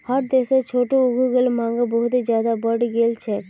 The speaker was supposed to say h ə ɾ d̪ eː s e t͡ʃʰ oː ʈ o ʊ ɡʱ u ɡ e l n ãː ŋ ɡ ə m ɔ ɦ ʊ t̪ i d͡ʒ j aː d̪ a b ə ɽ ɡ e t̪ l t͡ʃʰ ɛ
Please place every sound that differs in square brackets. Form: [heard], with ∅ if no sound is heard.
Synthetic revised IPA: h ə ɾ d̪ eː s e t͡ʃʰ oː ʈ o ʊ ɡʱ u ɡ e l [m] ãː ŋ ɡ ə [b] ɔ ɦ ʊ t̪ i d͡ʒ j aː d̪ a b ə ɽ ɡ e [∅] l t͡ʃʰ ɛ